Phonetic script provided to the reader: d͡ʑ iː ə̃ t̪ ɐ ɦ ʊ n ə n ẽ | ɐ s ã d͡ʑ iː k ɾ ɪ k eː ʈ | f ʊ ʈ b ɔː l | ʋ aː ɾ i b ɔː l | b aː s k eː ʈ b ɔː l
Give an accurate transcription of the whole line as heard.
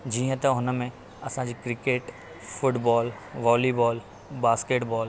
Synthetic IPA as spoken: d͡ʑ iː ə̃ t̪ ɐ ɦ ʊ n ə m ẽ | ɐ s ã d͡ʑ iː k ɾ ɪ k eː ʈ | f ʊ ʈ b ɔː l | ʋ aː l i b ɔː l | b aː s k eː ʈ b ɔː l

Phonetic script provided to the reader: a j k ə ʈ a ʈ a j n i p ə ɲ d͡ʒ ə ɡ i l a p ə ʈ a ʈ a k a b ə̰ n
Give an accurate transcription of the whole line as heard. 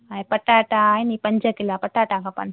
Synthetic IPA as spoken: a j p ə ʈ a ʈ a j n i p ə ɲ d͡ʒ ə k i l a p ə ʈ a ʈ a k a p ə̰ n

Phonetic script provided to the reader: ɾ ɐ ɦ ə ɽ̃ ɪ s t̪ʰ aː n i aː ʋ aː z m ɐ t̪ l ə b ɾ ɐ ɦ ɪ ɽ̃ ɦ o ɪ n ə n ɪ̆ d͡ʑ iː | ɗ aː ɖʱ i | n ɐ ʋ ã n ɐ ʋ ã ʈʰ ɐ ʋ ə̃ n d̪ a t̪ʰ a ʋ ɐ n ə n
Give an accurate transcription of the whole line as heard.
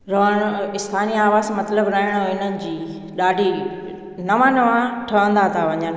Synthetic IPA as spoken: ɾ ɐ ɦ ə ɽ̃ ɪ s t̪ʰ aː n i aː ʋ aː z m ɐ t̪ l ə b ɾ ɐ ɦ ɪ ɽ̃ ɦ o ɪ n ə n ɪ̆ d͡ʑ iː | ɗ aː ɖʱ i | n ɐ ʋ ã n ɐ ʋ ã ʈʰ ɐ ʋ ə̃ n d̪ a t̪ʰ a ʋ ɐ ɲ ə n

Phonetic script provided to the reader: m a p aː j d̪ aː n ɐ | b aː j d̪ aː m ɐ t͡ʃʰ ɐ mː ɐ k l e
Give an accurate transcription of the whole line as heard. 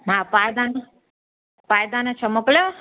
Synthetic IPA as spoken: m a p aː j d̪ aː n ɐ | p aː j d̪ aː n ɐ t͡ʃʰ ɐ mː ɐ k l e

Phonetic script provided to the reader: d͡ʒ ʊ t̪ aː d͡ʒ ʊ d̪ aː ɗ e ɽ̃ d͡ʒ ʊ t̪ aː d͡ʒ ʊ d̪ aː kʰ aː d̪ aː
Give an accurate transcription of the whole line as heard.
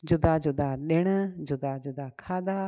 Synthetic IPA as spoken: d͡ʒ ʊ d̪ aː d͡ʒ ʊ d̪ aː ɗ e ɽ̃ d͡ʒ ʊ d̪ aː d͡ʒ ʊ d̪ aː kʰ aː d̪ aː

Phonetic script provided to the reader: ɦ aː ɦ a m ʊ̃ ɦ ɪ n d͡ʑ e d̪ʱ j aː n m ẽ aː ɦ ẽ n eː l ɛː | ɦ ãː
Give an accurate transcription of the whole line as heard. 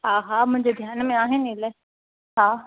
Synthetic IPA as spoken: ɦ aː ɦ a m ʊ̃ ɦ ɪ ɲ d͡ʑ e d̪ʱ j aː n m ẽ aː ɦ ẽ n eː l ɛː | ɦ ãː

